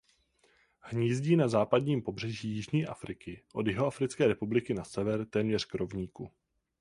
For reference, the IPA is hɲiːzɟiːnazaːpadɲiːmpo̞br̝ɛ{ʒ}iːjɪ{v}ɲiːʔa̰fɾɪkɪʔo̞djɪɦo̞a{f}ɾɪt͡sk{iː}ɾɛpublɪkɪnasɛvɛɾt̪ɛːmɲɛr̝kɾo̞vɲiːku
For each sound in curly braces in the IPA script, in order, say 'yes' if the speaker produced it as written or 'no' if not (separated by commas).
yes, no, yes, no